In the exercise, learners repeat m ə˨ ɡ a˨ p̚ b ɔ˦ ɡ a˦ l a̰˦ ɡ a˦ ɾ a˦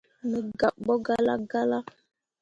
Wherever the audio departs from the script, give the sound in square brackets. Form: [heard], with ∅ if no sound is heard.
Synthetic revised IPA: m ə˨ ɡ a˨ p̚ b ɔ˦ ɡ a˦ l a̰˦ ɡ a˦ [l] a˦